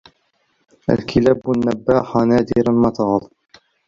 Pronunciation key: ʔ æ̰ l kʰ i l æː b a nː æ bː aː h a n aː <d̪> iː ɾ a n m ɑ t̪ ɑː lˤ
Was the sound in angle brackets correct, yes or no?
yes